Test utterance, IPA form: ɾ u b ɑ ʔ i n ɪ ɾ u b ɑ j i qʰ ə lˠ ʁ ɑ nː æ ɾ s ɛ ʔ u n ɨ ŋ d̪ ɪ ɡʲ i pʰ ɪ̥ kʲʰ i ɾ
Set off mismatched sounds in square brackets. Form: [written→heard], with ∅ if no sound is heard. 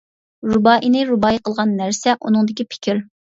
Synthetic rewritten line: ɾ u b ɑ ʔ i n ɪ ɾ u b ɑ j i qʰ ə lˠ ʁ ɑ nː æ ɾ s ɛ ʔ u n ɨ ŋ d̪ ɪ [ɡʲ→kʲ] i pʰ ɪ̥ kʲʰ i ɾ